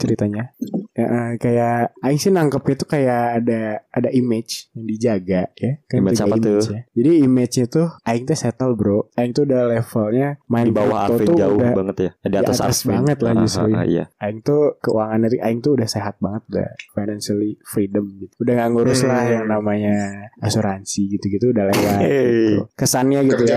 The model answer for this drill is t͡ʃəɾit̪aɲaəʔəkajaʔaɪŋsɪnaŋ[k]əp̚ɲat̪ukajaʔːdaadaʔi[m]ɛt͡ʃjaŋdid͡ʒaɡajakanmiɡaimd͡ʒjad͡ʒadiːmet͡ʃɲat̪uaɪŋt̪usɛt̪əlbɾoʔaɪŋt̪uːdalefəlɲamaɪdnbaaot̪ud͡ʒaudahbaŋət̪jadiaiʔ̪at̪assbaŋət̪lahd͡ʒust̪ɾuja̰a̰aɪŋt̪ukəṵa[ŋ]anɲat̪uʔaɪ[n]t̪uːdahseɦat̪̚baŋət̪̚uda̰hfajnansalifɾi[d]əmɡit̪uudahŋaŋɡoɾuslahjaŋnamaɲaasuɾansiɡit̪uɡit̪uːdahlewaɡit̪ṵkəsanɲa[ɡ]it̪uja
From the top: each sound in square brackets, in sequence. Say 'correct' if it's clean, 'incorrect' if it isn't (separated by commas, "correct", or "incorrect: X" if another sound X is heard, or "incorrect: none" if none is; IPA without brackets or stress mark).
correct, correct, correct, incorrect: ŋ, correct, correct